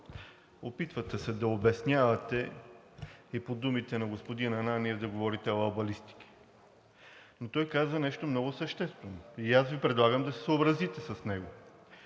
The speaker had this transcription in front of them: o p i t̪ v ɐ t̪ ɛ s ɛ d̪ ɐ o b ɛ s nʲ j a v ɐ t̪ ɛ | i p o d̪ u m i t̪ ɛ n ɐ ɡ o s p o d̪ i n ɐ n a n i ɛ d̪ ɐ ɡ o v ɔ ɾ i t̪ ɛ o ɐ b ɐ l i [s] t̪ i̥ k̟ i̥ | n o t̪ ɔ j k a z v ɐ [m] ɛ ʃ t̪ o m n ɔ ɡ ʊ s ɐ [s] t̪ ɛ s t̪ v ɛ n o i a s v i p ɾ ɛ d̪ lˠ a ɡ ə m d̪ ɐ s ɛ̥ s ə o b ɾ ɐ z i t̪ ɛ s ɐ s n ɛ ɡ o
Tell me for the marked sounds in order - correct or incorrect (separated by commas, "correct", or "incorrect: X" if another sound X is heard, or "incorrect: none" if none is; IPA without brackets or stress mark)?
correct, incorrect: n, incorrect: ʃ